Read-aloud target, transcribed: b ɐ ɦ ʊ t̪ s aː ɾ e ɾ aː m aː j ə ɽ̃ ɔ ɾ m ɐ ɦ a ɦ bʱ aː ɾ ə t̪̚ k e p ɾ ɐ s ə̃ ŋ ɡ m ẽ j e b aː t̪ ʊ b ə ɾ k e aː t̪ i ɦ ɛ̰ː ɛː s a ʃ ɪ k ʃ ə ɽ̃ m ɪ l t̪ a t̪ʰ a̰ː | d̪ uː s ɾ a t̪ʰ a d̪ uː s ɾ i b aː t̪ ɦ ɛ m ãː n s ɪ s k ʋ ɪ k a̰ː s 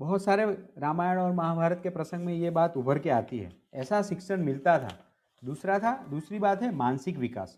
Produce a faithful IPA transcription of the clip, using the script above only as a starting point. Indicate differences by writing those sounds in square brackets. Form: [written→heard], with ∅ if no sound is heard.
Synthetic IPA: b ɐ ɦ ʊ t̪ s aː ɾ e ɾ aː m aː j ə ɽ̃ [ɔ→ɔː] ɾ m ɐ ɦ a [ɦ→∅] bʱ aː ɾ ə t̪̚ k e p ɾ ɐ s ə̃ ŋ ɡ m ẽ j e b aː t̪ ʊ b ə ɾ k e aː t̪ i ɦ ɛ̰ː ɛː s a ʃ ɪ k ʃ ə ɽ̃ m ɪ l t̪ a t̪ʰ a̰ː | d̪ uː s ɾ a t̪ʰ a d̪ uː s ɾ i b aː t̪ ɦ ɛ m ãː n s ɪ [s→∅] k ʋ ɪ k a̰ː s